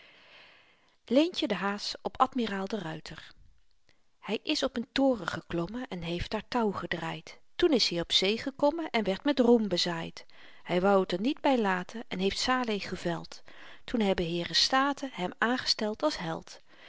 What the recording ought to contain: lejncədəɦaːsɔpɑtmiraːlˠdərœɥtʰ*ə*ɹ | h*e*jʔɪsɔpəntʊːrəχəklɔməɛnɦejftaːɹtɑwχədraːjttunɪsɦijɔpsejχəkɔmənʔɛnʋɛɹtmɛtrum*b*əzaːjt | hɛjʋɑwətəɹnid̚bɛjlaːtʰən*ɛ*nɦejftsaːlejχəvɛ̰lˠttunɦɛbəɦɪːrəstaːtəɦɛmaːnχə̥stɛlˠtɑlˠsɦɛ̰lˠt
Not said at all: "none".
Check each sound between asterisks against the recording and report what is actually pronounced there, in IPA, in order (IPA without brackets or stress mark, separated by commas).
ə, ɛ, b, ɛ